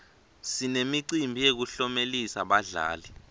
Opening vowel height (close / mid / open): close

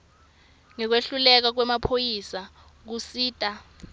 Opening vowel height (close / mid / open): mid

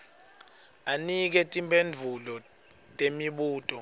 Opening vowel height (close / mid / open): open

